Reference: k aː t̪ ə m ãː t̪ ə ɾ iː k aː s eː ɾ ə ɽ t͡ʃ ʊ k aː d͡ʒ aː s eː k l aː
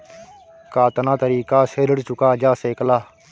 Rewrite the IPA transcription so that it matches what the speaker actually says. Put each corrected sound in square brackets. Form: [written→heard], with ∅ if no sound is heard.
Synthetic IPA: k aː t̪ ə [m→n] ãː t̪ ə ɾ iː k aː s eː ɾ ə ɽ t͡ʃ ʊ k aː d͡ʒ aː s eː k l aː